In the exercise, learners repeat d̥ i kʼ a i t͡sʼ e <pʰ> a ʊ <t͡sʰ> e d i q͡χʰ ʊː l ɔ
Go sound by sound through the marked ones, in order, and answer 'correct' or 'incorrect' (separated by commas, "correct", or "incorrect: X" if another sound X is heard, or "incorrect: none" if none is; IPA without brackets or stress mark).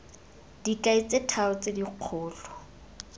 incorrect: tʰ, incorrect: t͡s